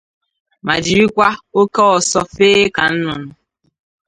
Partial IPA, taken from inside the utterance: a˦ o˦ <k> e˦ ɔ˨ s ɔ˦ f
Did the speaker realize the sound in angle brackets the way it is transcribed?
yes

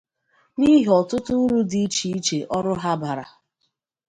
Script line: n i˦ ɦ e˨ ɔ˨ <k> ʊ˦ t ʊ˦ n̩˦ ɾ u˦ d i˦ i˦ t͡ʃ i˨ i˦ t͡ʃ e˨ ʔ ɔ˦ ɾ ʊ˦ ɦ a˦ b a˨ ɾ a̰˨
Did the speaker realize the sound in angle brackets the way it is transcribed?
no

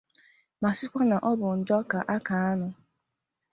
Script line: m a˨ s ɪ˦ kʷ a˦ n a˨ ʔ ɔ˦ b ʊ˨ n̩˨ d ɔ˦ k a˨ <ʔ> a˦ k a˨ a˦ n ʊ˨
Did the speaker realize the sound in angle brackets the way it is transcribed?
yes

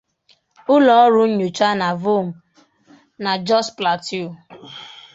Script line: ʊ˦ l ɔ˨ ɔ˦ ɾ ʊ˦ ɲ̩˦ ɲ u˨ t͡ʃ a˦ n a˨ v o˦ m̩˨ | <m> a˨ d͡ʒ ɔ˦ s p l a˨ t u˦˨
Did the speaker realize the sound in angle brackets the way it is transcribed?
no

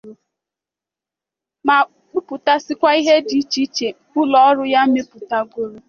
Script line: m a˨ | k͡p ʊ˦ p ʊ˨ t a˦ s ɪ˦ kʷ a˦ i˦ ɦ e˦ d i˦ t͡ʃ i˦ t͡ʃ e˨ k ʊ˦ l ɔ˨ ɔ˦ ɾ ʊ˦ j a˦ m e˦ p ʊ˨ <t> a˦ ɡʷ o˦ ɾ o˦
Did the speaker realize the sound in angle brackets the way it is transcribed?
yes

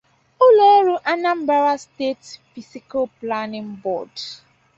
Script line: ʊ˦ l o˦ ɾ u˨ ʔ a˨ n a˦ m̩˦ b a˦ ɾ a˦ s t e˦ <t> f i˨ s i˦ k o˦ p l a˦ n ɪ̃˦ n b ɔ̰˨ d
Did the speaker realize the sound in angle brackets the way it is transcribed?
yes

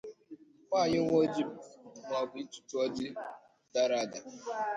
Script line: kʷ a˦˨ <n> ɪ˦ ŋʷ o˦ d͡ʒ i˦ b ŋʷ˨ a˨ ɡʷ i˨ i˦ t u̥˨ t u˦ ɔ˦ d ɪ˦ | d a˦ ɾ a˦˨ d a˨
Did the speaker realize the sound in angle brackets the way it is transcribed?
no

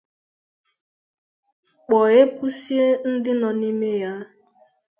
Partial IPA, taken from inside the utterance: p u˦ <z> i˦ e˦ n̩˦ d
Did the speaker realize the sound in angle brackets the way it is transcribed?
no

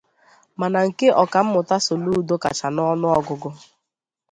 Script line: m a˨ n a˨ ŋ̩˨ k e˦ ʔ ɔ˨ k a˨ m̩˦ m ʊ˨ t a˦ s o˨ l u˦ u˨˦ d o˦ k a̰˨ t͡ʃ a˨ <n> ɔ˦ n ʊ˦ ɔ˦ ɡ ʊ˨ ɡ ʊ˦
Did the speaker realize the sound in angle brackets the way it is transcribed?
yes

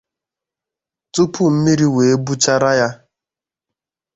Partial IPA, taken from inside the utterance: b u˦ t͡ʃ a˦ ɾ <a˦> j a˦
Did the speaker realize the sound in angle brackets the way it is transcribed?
yes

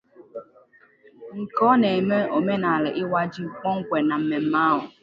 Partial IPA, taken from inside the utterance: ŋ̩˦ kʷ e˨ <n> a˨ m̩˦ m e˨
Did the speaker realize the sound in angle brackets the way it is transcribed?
yes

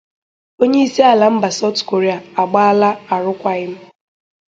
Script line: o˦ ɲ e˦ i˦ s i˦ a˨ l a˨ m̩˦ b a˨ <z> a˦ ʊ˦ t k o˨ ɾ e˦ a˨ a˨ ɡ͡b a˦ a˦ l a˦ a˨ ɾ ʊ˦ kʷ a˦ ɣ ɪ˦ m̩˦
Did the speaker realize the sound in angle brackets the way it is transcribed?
no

